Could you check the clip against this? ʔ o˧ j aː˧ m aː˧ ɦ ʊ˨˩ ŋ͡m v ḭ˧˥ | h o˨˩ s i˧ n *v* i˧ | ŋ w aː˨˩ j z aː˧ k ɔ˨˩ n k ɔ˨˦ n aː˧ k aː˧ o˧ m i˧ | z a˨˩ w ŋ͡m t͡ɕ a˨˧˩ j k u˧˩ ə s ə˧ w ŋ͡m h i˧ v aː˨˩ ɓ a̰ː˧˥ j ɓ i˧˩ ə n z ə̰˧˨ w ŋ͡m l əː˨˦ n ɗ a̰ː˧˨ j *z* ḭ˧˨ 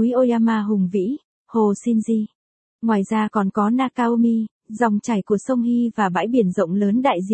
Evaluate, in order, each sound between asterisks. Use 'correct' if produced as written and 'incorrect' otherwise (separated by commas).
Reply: incorrect, correct